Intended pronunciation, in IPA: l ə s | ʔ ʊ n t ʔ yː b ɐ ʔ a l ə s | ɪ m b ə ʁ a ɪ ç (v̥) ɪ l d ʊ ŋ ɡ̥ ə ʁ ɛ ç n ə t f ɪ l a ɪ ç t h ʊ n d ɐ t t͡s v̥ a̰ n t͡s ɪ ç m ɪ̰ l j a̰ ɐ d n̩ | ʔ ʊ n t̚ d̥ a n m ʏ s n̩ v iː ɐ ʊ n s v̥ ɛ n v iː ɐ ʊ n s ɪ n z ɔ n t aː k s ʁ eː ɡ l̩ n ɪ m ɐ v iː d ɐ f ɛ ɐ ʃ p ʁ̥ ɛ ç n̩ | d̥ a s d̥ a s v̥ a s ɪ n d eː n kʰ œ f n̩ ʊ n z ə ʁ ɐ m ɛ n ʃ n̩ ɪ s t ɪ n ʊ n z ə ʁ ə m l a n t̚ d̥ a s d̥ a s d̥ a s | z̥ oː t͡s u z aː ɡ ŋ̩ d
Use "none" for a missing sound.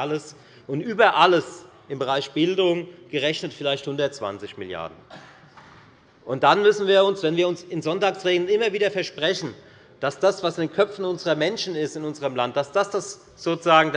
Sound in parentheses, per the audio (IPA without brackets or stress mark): b̥